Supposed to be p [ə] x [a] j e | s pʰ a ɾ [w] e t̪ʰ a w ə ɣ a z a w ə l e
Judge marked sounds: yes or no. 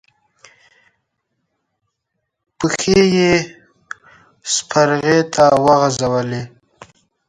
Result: yes, no, no

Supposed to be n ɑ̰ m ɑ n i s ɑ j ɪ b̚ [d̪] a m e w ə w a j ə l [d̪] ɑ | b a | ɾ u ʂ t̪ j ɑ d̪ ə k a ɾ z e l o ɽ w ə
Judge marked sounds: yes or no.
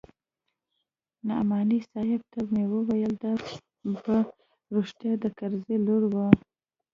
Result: no, yes

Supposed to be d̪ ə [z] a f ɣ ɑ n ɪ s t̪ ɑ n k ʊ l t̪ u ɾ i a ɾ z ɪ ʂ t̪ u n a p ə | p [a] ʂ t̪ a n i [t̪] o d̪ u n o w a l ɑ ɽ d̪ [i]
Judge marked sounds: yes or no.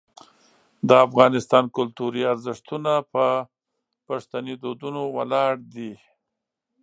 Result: no, yes, no, yes

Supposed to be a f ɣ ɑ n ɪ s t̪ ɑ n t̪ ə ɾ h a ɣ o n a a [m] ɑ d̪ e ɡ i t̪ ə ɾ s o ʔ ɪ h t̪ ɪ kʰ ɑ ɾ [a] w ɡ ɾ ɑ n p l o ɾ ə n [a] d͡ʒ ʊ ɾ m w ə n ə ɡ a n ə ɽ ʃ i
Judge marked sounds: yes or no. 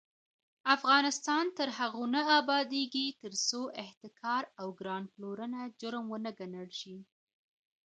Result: no, yes, yes

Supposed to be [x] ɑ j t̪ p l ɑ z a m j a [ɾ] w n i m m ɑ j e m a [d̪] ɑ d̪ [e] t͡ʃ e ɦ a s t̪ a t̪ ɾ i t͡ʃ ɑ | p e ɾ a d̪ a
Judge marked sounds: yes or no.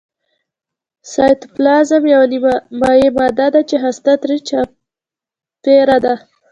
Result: no, no, yes, no

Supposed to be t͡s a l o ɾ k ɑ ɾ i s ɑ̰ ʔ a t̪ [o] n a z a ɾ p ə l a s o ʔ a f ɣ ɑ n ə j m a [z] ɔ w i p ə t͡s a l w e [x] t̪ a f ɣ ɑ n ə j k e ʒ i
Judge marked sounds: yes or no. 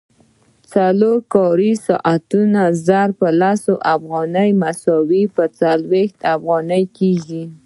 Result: no, no, yes

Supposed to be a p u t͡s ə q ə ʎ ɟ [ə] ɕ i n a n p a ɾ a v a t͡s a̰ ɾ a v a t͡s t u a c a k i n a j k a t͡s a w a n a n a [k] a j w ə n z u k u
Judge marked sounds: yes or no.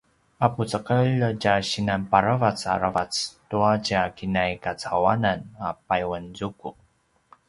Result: no, no

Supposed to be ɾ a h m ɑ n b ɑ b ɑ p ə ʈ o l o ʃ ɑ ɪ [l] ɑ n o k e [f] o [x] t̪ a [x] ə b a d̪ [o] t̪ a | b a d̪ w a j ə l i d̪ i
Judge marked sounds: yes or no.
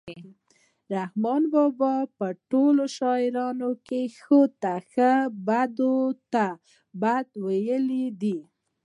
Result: no, no, no, yes, yes

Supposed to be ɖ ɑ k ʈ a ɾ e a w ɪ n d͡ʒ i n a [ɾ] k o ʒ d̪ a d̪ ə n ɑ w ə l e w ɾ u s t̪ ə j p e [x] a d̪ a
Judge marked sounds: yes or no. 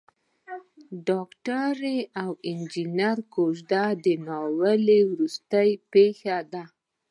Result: yes, yes

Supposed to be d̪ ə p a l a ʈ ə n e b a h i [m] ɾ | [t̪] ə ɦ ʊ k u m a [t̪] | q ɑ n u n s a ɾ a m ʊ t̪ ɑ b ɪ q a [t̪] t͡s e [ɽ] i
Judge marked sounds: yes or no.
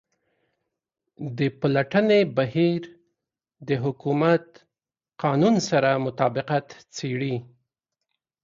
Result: no, no, yes, yes, yes

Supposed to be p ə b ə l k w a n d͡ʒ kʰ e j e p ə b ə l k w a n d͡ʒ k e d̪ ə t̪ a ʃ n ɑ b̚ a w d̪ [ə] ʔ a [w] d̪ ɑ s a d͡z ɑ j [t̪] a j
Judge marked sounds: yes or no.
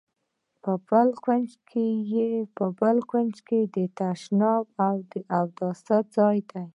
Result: yes, yes, no

